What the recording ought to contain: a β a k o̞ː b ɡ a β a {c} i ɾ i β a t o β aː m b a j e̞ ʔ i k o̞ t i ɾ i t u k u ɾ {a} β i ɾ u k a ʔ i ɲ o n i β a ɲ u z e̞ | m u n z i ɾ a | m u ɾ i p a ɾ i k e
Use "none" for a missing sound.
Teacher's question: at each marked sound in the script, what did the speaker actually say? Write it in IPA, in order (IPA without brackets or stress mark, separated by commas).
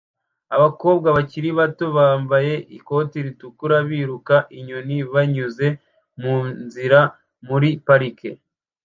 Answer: c, a